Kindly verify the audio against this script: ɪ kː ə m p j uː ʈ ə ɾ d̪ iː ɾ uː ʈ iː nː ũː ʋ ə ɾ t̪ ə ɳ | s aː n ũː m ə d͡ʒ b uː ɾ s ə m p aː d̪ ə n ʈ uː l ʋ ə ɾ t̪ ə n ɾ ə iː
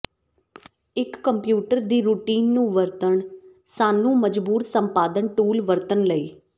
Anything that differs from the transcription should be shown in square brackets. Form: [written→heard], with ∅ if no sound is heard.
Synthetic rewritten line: ɪ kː ə m p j uː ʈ ə ɾ d̪ iː ɾ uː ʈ iː nː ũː ʋ ə ɾ t̪ ə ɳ | s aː n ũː m ə d͡ʒ b uː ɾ s ə m p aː d̪ ə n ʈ uː l ʋ ə ɾ t̪ ə n [ɾ→l] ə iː